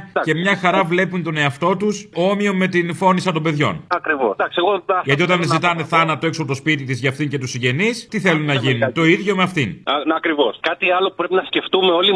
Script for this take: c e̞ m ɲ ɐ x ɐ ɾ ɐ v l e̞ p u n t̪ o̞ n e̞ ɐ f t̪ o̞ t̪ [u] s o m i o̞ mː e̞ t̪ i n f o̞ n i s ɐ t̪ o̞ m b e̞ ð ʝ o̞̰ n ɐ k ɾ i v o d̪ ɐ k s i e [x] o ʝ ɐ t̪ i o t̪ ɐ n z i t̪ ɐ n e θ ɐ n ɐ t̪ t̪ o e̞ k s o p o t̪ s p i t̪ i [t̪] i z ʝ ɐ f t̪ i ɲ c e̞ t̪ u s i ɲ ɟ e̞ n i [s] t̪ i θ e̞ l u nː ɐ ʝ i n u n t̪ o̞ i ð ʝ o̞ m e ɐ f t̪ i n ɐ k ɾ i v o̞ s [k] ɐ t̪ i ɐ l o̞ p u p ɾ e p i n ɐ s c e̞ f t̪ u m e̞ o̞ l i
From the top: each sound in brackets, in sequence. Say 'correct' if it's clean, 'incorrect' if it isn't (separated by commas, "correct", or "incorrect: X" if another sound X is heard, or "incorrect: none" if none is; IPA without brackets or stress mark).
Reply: correct, incorrect: ɣ, correct, correct, correct